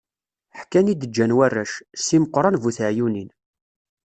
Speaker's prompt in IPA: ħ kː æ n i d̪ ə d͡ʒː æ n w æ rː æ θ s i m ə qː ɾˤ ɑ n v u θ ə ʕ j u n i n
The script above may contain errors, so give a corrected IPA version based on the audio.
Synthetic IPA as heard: ħ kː æ n i d̪ ə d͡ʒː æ n w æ rː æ ʃ s i m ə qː ɾˤ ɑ n v u θ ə ʕ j u n i n